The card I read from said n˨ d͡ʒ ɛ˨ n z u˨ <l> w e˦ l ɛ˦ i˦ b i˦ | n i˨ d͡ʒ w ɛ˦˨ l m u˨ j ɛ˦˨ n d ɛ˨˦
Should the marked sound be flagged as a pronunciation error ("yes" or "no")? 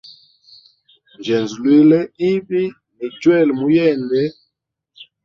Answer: no